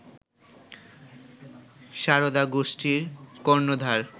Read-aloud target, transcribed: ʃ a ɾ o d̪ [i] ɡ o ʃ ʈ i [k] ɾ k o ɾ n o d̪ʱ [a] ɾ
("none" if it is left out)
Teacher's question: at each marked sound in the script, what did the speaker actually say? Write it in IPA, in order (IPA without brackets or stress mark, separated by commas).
a, none, a